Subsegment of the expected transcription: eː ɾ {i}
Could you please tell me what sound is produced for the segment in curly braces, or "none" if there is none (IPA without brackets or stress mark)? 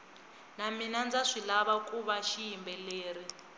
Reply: i